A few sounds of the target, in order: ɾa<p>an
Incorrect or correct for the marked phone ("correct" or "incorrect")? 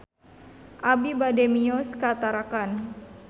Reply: incorrect